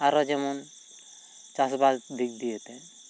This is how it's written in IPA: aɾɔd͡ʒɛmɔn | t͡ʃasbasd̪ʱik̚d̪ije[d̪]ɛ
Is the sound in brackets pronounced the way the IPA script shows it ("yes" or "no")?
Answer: no